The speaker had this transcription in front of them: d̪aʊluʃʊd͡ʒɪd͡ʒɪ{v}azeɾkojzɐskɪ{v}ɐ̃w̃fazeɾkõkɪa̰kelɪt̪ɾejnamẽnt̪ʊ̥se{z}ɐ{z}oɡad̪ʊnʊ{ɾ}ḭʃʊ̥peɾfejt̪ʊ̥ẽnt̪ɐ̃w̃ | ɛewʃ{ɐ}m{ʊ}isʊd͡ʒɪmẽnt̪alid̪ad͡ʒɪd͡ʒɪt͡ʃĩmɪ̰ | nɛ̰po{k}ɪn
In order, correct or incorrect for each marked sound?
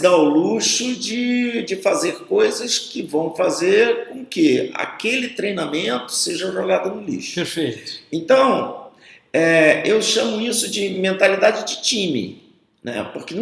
incorrect: f, correct, incorrect: ʒ, incorrect: ʒ, incorrect: l, incorrect: ɐ̃, correct, correct

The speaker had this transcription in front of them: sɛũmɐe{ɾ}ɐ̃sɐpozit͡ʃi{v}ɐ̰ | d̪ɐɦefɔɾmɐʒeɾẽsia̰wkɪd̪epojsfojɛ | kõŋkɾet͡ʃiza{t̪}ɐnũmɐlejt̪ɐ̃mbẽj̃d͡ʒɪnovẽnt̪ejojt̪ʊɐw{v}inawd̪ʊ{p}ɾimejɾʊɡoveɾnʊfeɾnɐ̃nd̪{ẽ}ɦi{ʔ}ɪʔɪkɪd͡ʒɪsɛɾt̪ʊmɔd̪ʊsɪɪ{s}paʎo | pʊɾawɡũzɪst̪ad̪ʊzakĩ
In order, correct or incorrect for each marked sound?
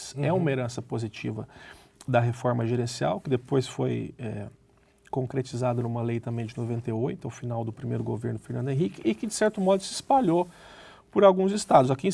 correct, correct, incorrect: d̪, incorrect: f, correct, correct, incorrect: k, correct

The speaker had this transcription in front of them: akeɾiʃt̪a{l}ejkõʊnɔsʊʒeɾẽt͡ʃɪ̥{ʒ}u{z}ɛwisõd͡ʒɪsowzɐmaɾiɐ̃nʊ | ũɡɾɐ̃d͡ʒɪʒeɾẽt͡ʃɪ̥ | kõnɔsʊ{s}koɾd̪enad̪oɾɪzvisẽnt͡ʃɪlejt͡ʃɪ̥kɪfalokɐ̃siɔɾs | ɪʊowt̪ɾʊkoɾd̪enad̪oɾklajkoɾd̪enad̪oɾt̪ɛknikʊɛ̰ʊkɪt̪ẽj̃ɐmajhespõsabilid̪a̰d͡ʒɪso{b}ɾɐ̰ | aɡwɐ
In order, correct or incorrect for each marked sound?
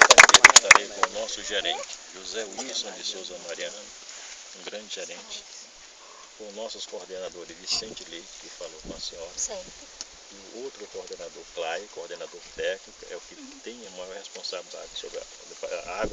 incorrect: ɾ, correct, correct, correct, correct

